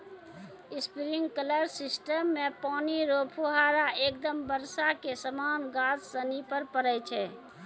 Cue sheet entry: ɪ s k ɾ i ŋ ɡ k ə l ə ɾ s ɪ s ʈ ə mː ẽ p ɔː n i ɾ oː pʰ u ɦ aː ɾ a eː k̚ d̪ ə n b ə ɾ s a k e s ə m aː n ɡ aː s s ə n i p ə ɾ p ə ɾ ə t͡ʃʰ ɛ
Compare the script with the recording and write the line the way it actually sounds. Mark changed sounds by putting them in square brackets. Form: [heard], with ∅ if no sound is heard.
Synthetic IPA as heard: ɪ s [p] ɾ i ŋ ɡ k ə l ə ɾ s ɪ s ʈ ə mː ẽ p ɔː n i ɾ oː pʰ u ɦ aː ɾ a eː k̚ d̪ ə [m] b ə ɾ s a k e s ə m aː n ɡ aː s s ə n i p ə ɾ p ə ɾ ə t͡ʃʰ ɛ